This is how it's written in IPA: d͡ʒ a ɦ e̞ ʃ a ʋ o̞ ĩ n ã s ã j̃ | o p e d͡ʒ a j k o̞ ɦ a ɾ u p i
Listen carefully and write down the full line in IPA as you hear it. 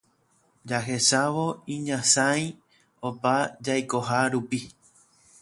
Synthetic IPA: d͡ʒ a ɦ e̞ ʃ a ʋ o̞ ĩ ɲ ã s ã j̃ | o p a d͡ʒ a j k o̞ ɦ a ɾ u p i